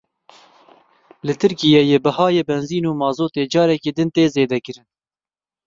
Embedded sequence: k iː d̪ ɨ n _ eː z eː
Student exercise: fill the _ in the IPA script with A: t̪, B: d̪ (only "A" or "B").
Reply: A